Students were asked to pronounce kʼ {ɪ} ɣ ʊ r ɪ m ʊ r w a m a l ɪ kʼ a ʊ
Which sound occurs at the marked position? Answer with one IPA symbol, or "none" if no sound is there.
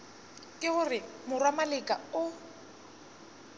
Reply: ɪ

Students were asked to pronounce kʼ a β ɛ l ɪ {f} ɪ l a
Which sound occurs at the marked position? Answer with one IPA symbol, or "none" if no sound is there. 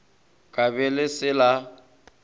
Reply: s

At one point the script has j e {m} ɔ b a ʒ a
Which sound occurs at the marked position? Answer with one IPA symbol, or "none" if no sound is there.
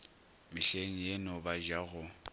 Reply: n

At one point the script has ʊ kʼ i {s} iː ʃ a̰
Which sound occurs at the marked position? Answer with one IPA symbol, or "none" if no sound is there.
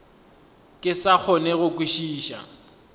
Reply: ʃ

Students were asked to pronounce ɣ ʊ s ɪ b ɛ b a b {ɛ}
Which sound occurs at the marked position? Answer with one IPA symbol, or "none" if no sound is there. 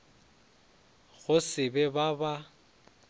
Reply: a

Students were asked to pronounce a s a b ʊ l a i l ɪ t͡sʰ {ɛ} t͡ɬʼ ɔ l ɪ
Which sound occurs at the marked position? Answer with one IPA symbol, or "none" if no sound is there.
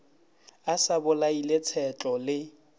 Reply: ɛ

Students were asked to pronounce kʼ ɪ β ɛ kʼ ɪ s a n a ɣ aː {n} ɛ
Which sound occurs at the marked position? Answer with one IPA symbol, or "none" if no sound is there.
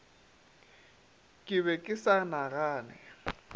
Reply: n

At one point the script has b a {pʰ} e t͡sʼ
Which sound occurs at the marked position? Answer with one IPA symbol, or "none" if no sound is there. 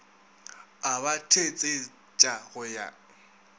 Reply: tʰ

